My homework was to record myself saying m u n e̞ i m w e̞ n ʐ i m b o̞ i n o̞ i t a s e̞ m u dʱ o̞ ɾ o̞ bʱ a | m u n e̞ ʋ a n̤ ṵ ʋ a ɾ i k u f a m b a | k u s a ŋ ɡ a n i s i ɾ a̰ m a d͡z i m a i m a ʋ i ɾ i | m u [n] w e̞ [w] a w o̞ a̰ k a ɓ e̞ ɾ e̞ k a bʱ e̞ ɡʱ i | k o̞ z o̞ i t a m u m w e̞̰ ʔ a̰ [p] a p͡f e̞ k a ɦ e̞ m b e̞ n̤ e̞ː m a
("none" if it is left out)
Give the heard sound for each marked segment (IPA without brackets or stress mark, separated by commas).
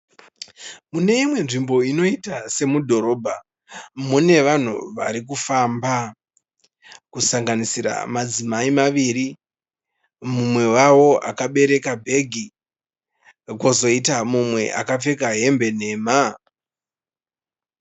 m, w, k